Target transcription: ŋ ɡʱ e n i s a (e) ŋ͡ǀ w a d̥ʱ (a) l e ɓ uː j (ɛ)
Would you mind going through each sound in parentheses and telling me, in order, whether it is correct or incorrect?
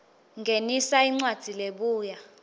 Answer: incorrect, incorrect, incorrect

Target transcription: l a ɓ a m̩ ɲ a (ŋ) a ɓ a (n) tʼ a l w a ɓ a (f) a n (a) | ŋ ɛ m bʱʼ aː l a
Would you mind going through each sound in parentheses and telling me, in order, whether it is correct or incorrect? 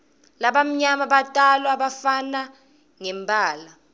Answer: incorrect, incorrect, correct, correct

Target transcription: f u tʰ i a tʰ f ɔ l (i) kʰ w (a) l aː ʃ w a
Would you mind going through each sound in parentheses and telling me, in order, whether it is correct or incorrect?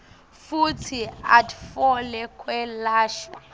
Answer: incorrect, incorrect

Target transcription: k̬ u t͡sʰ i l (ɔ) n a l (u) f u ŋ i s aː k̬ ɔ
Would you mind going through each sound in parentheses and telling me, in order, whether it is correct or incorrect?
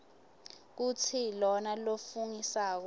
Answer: correct, incorrect

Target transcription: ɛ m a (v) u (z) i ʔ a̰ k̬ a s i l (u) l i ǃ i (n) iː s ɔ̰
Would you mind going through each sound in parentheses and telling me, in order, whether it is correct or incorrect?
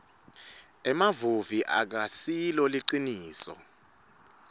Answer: correct, incorrect, incorrect, correct

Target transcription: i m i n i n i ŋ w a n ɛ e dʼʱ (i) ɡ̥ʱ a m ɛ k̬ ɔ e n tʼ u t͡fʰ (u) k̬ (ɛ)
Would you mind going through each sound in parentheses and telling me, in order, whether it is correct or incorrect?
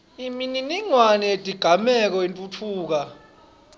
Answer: correct, incorrect, incorrect

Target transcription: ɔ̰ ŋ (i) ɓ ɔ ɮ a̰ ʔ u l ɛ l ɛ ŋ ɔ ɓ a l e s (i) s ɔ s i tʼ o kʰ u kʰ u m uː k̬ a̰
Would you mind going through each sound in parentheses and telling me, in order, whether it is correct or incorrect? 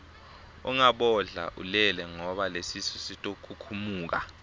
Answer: incorrect, correct

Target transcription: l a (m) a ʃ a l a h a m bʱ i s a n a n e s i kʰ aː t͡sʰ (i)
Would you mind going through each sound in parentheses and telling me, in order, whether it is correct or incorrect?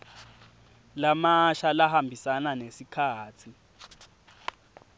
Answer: correct, correct

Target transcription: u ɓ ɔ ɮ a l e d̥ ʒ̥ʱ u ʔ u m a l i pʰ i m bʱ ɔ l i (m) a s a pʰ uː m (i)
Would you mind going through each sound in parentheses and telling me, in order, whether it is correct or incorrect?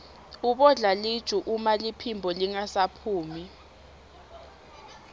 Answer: incorrect, correct

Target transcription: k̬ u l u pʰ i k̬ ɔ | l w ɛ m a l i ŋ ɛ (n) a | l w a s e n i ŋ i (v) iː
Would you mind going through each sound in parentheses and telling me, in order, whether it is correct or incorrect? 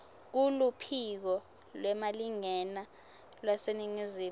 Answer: correct, incorrect

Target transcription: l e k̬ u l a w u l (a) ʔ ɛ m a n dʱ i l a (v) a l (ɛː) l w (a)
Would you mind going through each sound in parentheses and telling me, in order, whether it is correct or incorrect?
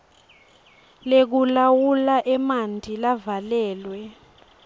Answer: correct, correct, correct, incorrect

